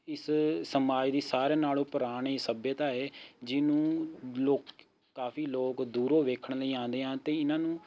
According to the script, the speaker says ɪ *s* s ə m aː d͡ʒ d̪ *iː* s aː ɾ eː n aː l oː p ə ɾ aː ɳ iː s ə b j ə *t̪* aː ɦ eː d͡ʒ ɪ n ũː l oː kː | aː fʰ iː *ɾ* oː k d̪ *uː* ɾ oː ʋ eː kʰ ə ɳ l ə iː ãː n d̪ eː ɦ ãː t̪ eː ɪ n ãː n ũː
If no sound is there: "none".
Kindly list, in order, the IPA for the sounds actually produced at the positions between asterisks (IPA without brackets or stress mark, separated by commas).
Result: s, iː, t̪, l, uː